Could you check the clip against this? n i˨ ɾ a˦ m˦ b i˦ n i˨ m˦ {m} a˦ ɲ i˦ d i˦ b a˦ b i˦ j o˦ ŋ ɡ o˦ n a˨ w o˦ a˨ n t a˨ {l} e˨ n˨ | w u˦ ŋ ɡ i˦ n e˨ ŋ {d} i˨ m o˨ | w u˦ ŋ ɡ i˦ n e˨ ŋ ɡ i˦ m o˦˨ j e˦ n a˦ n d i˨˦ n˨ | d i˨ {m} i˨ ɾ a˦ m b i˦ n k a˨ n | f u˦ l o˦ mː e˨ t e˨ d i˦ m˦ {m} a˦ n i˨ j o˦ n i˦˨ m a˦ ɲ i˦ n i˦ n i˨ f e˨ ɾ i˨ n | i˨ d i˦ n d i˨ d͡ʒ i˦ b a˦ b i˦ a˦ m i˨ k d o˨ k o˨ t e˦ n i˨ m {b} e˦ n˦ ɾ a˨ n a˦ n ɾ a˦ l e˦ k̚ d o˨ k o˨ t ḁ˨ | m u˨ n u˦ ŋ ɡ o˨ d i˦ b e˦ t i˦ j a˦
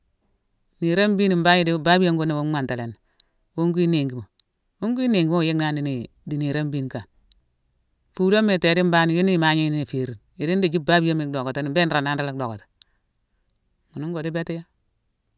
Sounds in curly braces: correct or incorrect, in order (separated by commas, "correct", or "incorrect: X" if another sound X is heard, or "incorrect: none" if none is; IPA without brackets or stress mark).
incorrect: b, correct, incorrect: ɡ, incorrect: n, incorrect: b, correct